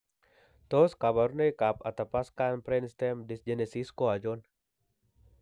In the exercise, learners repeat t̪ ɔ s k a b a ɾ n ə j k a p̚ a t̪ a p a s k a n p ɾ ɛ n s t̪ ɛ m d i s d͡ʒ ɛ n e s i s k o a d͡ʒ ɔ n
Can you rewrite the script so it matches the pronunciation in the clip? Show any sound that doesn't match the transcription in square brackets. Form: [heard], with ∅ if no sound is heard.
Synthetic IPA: t̪ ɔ s k a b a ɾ n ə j k a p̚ a t̪ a p a s k a n p ɾ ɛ n s t̪ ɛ m d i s d͡ʒ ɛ n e s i s k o a d͡ʒ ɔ n